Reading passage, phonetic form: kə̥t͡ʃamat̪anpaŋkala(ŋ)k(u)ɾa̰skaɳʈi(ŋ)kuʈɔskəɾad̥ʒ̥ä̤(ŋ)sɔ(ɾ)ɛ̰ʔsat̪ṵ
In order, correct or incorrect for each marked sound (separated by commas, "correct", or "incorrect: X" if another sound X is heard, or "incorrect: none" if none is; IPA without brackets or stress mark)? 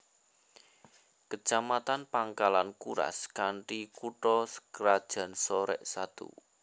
incorrect: n, correct, incorrect: none, incorrect: n, correct